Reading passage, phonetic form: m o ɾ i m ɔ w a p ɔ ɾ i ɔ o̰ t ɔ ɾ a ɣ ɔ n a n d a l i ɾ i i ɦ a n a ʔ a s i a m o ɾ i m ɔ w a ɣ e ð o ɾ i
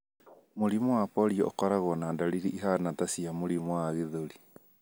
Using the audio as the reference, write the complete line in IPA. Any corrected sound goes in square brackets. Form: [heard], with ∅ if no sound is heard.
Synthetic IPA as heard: m o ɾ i m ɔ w a p ɔ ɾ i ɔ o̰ [k] ɔ ɾ a ɣ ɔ n a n d a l i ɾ i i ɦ a n a [t] a s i a m o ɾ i m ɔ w a ɣ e ð o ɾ i